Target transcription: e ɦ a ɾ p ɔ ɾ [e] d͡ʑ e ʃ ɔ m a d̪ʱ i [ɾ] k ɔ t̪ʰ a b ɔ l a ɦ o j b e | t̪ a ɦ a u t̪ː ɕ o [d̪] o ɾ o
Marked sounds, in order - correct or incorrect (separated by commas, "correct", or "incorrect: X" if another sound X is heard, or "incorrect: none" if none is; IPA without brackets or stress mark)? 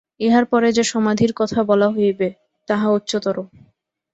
correct, correct, incorrect: t̪